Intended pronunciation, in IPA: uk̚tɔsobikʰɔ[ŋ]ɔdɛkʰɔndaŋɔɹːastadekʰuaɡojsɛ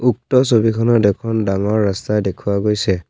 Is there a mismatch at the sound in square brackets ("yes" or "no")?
yes